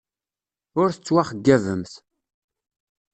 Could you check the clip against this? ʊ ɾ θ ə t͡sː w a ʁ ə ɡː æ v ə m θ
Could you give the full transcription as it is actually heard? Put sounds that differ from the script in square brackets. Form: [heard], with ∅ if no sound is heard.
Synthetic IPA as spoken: ʊ ɾ θ ə t͡sː w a [χ] ə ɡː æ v ə m θ

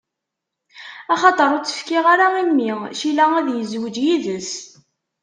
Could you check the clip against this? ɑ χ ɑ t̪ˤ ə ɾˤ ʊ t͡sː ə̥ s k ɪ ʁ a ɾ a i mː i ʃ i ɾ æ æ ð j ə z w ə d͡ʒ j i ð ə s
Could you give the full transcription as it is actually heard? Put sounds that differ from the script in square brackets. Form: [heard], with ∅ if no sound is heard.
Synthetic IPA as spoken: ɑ χ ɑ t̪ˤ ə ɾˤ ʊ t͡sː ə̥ [f] k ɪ ʁ a ɾ a i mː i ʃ i [l] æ æ ð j ə z w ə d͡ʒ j i ð ə s

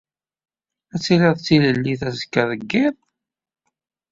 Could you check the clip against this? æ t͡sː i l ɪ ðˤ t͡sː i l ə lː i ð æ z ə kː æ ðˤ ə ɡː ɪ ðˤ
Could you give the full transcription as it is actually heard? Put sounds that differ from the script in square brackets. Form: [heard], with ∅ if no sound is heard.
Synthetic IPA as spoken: æ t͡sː i l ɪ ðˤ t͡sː i l ə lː i [θ] æ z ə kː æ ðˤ ə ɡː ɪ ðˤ

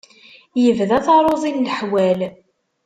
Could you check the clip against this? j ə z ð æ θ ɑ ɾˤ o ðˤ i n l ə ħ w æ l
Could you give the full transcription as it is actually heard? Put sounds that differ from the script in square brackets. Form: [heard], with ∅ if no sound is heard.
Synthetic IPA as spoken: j ə [v] ð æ θ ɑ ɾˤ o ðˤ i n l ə ħ w æ l

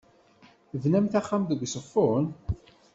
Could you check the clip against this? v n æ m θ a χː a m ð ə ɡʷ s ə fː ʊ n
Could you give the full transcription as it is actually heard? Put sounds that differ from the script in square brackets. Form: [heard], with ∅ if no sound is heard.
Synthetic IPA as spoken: v n æ m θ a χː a m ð ə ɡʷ s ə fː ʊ n

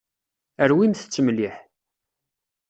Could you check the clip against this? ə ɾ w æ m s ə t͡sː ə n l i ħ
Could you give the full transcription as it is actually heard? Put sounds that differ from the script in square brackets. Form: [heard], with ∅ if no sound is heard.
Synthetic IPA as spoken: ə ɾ w [i] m [θ] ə t͡sː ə [m] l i ħ

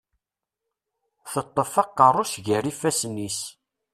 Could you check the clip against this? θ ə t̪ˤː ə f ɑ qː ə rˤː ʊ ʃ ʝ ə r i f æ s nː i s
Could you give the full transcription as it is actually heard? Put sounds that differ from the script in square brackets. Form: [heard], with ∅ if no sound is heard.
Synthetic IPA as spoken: θ ə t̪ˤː ə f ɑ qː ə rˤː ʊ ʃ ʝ ə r i f æ s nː i s

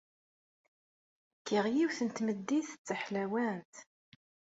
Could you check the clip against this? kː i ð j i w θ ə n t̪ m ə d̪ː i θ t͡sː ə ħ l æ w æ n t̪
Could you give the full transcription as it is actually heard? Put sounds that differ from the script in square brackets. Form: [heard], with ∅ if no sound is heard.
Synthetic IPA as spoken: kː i [ʁ] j i w θ ə n t̪ m ə d̪ː i θ t͡sː ə ħ l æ w æ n t̪

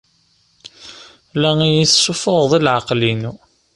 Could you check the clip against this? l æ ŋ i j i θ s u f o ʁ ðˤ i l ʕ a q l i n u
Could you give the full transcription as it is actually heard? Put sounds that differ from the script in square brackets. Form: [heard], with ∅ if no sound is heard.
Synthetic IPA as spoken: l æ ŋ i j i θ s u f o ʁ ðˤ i l ʕ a q l i n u

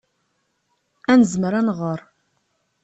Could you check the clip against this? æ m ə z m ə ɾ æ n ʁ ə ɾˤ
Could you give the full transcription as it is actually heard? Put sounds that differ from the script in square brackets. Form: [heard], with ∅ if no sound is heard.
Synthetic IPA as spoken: æ [n] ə z m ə ɾ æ n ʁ ə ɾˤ

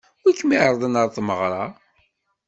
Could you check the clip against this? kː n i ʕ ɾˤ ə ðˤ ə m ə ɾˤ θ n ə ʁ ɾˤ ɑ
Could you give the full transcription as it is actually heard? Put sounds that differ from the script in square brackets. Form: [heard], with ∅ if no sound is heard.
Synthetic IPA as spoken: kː [m] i ʕ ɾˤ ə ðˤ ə [n] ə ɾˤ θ [m] ə ʁ ɾˤ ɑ

